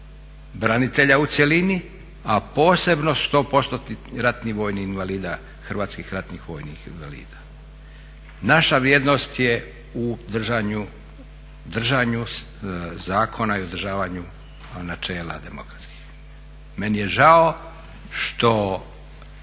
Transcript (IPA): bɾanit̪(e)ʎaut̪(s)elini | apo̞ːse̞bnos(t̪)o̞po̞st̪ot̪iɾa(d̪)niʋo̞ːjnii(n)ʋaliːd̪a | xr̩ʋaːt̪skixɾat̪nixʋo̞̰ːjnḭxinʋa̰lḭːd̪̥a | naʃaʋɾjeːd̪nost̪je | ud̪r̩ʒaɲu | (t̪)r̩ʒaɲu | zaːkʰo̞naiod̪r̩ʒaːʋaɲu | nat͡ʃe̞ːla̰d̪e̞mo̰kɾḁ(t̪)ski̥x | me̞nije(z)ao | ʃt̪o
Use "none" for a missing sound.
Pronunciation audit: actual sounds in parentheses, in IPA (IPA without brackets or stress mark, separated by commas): e, s, t̪, t̪, n, d̪, t̪, ʒ